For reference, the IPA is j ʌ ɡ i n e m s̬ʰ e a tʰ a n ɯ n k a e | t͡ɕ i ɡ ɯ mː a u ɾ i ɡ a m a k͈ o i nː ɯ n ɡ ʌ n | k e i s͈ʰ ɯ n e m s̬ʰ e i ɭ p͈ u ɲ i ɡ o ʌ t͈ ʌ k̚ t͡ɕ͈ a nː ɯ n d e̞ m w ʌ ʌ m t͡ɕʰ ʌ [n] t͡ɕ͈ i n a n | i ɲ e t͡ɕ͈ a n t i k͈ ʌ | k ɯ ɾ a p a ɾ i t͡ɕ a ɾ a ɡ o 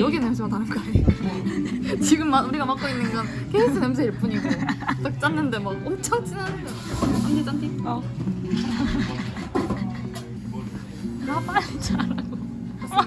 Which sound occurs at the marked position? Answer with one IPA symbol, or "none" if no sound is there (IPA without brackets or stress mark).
ŋ